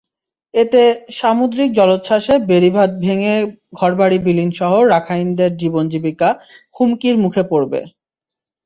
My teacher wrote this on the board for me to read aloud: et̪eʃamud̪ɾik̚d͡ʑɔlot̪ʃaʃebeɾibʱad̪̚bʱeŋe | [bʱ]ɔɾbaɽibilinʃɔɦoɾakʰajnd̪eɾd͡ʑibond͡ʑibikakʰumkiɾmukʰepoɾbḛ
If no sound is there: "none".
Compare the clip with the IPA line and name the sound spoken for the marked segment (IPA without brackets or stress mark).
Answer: ɡʱ